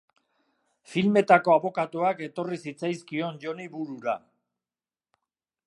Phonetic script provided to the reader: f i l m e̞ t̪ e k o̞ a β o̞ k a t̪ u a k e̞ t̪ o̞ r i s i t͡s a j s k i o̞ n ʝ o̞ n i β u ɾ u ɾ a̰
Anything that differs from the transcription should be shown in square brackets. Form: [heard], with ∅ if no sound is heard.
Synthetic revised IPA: f i l m e̞ t̪ [a] k o̞ a β o̞ k a t̪ u a k e̞ t̪ o̞ r i s i t͡s a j s k i o̞ n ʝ o̞ n i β u ɾ u ɾ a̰